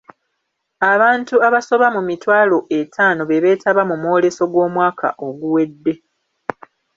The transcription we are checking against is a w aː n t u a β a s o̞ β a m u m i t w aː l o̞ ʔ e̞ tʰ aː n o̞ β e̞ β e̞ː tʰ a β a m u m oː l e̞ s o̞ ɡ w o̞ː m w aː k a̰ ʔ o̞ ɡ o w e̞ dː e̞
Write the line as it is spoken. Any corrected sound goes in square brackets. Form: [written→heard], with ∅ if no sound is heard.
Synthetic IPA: a [w→β] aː n t u a β a s o̞ β a m u m i t w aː l o̞ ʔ e̞ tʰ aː n o̞ β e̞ β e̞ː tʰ a β a m u m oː l e̞ s o̞ ɡ w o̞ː m w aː k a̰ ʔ o̞ ɡ [o→u] w e̞ dː e̞